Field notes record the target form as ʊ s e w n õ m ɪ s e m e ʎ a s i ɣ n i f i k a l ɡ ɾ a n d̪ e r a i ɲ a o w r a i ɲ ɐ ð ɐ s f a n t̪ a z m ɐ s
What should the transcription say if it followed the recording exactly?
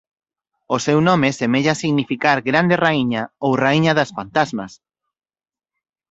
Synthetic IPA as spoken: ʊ s e w n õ m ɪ s e m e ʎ a s i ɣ n i f i k a ɾ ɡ ɾ a n d̪ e r a i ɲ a o w r a i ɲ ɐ ð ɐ s f a n t̪ a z m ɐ s